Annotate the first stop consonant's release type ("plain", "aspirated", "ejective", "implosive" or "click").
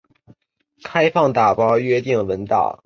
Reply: aspirated